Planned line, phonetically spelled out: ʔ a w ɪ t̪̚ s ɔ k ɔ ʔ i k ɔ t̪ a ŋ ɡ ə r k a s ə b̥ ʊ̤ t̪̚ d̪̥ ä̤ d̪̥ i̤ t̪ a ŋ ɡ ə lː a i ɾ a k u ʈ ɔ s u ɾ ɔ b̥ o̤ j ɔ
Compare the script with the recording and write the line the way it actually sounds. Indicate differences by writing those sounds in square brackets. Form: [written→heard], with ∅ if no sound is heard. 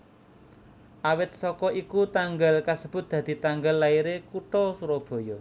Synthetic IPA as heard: ʔ a w ɪ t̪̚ s ɔ k ɔ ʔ i k [ɔ→u] t̪ a ŋ ɡ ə [r→l] k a s ə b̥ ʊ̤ t̪̚ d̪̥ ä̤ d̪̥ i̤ t̪ a ŋ ɡ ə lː a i ɾ [a→e] k u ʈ ɔ s u ɾ ɔ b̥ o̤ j ɔ